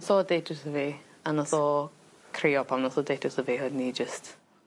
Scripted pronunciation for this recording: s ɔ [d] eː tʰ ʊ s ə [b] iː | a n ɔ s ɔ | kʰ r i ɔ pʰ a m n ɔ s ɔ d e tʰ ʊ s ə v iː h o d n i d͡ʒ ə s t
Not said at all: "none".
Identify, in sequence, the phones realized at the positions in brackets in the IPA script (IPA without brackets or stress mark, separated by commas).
d, v